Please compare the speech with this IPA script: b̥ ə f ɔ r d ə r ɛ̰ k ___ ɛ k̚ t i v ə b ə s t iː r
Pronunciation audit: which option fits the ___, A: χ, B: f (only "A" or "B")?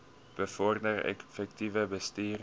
B